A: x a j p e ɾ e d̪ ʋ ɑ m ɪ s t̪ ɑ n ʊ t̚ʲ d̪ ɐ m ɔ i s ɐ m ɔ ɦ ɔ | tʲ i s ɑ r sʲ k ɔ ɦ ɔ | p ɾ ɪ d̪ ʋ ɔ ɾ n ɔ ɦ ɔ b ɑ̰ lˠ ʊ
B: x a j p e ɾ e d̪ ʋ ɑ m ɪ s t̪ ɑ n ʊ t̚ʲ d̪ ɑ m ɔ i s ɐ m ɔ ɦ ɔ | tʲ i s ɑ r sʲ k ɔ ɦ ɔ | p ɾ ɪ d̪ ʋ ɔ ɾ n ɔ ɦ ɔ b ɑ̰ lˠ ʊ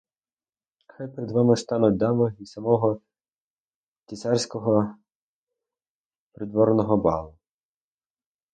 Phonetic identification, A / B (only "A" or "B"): B